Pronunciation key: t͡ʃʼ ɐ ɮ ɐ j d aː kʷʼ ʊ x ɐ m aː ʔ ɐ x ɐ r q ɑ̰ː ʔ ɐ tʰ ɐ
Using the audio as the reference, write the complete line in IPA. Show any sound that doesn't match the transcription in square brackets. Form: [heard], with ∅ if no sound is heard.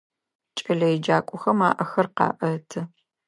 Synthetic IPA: t͡ʃʼ ɐ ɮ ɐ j [d͡ʒ] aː kʷʼ ʊ x ɐ m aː ʔ ɐ x ɐ r q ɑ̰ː ʔ ɐ tʰ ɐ